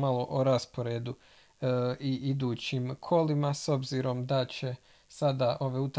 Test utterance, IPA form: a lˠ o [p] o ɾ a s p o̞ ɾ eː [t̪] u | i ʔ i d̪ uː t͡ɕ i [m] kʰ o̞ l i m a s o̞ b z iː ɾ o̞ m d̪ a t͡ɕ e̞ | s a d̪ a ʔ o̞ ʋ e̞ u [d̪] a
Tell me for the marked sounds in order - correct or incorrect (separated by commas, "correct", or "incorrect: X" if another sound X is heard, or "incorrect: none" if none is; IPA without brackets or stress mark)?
incorrect: ʔ, incorrect: d̪, correct, incorrect: t̪